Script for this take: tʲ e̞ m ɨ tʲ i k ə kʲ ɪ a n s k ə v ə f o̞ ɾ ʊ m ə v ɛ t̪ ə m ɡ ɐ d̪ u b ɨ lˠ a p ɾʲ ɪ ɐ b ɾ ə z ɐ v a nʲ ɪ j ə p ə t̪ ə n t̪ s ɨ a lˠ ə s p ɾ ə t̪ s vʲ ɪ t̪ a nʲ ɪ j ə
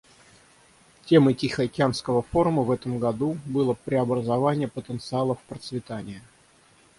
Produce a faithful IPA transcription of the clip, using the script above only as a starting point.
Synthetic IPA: tʲ e̞ m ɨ tʲ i x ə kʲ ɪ a n s k ə v ə f o̞ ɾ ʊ m ə v ɛ t̪ ə m ɡ ɐ d̪ u b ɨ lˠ ə p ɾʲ ɪ ɐ b ɾ ə z ɐ v a nʲ ɪ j ə p ə t̪ ə n t̪ s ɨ a lˠ ə f p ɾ ə t̪ s vʲ ɪ t̪ a nʲ ɪ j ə